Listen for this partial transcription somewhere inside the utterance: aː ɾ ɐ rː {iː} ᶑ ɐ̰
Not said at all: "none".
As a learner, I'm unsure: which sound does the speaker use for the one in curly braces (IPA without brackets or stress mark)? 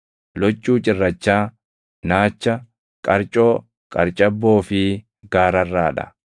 aː